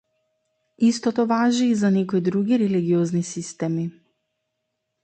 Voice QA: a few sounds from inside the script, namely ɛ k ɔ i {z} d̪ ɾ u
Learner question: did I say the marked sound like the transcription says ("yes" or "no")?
no